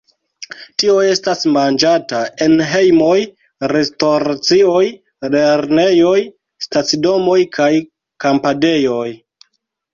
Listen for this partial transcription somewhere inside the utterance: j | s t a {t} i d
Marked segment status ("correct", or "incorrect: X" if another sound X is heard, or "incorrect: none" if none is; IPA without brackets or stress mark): incorrect: t͡s